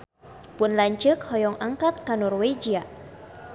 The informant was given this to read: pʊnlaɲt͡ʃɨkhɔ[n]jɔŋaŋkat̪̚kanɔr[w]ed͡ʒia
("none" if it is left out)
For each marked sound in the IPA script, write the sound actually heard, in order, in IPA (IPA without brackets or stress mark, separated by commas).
none, w